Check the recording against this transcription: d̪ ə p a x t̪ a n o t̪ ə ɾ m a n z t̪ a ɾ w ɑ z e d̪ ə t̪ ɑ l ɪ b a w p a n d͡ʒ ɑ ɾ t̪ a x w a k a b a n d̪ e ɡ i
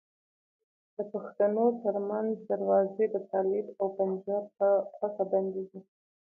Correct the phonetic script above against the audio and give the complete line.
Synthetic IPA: d̪ ə p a x t̪ a n o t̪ ə ɾ m a n z d̪ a ɾ w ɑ z e d̪ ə t̪ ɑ l ɪ b a w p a n d͡ʒ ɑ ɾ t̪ a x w a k a b a n d̪ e ɡ i